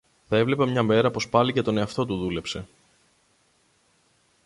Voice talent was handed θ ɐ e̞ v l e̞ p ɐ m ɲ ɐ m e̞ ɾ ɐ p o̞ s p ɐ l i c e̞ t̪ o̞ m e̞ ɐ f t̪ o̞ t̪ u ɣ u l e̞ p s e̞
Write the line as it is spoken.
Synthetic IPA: θ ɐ e̞ v l e̞ p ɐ m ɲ ɐ m e̞ ɾ ɐ p o̞ s p ɐ l i c e̞ t̪ o̞ n e̞ ɐ f t̪ o̞ t̪ u ð u l e̞ p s e̞